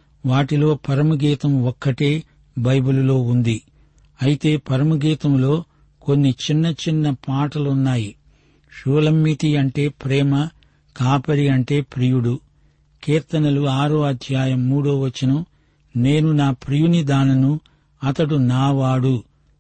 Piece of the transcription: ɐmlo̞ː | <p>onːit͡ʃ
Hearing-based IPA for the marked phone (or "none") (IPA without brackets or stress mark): k